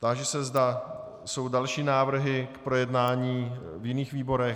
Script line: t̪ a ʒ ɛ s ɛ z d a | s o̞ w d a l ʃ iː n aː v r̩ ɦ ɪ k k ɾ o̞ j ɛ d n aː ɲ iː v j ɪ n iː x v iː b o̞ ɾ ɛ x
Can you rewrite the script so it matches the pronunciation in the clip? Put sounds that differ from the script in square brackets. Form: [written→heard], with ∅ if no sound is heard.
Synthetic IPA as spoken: t̪ a ʒ ɛ s ɛ z d a | s o̞ w d a l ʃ iː n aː v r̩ ɦ ɪ k [k→p] ɾ o̞ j ɛ d n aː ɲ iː v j ɪ n iː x v iː b o̞ ɾ ɛ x